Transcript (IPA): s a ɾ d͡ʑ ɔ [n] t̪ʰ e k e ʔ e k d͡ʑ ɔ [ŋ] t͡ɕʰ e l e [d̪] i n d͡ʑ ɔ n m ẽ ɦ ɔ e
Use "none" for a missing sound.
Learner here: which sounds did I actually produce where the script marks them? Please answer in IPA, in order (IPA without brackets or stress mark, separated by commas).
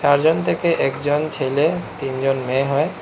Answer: n, n, t̪